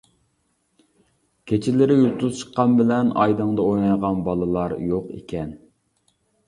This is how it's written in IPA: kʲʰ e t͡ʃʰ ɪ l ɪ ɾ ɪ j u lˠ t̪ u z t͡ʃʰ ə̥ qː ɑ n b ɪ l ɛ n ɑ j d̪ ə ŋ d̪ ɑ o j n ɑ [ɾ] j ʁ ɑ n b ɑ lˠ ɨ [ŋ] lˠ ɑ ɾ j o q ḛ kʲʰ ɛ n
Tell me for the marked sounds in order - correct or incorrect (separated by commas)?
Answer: incorrect, incorrect